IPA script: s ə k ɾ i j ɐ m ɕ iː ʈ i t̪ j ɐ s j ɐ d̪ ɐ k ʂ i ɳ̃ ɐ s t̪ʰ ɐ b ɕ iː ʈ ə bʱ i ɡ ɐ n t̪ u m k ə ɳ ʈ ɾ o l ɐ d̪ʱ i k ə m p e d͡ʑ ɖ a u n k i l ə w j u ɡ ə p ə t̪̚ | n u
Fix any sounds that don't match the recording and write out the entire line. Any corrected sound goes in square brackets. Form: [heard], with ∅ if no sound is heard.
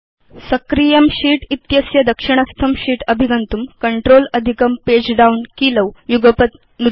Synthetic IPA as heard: s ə k ɾ i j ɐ m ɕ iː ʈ i t̪ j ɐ s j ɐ d̪ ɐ k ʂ i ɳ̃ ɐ s t̪ʰ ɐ [m] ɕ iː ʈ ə bʱ i ɡ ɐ n t̪ u m k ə ɳ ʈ ɾ o l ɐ d̪ʱ i k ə m p e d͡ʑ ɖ a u n k i l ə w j u ɡ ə p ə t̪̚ | n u